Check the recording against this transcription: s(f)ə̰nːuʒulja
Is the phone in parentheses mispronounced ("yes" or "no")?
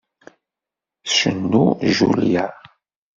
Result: yes